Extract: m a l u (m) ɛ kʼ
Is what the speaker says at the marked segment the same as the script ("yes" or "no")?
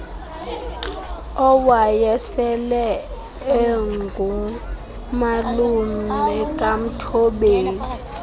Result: yes